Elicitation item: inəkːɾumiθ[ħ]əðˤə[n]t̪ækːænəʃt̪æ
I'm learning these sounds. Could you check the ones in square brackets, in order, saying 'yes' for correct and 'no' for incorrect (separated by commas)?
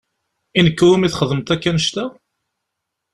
no, no